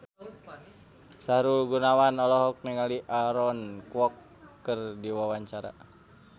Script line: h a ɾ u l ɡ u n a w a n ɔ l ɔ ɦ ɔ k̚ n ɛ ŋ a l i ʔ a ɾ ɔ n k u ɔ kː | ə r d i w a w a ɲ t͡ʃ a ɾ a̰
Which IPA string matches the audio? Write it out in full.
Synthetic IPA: s a ɾ u l ɡ u n a w a n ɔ l ɔ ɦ ɔ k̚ n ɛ ŋ a l i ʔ a ɾ ɔ n k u ɔ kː | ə r d i w a w a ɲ t͡ʃ a ɾ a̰